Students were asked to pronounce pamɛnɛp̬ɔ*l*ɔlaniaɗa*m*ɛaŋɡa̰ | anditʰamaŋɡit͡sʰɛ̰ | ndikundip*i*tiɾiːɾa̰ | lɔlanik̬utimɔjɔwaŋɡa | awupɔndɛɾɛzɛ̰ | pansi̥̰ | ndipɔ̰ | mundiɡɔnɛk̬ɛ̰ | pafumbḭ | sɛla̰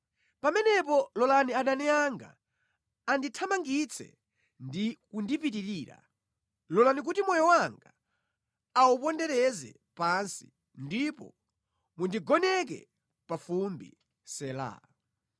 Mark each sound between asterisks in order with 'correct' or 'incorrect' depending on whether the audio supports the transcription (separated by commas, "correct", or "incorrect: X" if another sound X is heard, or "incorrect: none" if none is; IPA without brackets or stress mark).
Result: correct, incorrect: n, correct